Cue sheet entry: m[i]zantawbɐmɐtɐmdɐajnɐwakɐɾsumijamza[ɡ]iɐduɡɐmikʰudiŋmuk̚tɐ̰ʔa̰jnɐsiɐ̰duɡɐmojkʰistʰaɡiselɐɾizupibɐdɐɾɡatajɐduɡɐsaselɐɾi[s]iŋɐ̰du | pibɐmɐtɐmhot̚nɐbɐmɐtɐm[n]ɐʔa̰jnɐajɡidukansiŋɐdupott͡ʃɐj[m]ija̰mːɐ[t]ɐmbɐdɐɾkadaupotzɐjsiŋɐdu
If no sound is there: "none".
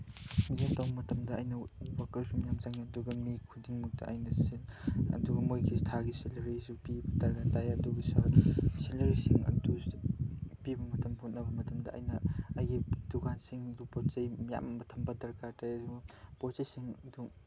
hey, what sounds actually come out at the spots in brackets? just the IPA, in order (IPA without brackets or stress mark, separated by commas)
i, ŋ, s, d, m, tʰ